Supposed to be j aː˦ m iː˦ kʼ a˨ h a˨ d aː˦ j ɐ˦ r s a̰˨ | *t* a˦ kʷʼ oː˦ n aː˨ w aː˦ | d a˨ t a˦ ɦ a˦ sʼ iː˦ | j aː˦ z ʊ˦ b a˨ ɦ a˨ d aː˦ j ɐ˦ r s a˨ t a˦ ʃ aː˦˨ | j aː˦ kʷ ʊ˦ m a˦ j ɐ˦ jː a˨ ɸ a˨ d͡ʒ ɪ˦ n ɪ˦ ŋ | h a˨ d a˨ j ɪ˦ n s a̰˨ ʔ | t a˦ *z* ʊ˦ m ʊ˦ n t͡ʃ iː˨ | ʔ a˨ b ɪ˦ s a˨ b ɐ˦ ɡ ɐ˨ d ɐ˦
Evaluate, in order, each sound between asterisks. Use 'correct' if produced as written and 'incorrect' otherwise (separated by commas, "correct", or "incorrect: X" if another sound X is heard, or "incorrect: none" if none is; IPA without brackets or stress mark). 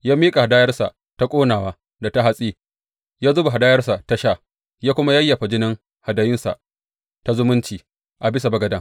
correct, correct